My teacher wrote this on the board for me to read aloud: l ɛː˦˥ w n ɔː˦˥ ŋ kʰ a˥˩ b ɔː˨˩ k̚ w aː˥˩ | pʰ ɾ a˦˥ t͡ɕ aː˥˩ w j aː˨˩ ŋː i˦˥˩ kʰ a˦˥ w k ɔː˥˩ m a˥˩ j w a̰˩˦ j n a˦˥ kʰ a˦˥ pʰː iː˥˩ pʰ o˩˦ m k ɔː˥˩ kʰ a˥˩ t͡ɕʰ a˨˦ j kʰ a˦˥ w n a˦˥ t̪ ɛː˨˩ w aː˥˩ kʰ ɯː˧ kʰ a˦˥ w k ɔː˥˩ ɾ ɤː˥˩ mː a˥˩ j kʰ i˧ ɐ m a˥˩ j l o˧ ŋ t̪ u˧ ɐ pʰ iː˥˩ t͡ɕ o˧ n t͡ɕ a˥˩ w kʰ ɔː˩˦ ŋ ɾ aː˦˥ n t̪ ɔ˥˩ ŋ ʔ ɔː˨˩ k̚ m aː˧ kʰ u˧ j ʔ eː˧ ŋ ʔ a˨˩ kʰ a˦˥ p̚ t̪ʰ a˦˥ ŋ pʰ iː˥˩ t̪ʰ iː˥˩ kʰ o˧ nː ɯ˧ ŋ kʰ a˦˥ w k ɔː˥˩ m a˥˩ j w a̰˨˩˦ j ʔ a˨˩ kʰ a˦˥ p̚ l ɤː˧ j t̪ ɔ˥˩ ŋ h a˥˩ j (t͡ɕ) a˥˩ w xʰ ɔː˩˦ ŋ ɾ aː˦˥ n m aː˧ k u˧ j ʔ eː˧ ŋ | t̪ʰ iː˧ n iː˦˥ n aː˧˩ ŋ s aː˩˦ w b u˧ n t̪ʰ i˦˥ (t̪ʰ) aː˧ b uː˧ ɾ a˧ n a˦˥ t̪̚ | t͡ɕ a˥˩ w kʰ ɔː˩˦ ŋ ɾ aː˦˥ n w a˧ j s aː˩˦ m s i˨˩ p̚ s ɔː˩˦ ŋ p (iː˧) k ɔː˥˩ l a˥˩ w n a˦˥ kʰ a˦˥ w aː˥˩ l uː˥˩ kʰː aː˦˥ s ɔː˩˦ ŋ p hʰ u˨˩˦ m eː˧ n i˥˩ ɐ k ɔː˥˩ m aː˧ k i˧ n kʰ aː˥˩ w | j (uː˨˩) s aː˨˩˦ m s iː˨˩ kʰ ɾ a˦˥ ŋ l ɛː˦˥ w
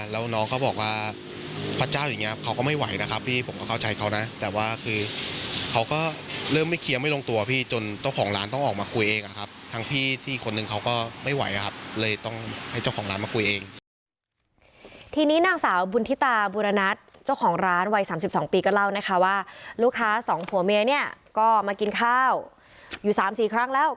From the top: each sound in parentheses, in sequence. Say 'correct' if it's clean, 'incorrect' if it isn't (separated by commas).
correct, incorrect, correct, correct